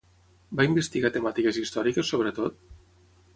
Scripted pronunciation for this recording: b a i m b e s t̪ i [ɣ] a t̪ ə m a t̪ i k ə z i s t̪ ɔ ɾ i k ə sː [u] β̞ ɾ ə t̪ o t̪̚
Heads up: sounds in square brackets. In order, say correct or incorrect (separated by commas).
correct, incorrect